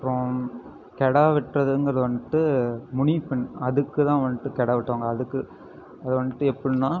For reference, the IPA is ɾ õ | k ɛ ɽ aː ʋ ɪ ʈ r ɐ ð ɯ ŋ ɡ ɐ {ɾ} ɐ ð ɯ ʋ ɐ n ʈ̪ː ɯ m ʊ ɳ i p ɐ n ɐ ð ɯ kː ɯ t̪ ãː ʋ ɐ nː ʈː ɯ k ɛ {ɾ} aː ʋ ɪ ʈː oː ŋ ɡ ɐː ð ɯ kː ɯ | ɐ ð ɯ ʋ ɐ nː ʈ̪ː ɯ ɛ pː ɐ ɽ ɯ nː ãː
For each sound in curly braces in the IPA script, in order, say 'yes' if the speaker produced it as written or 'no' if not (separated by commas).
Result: yes, no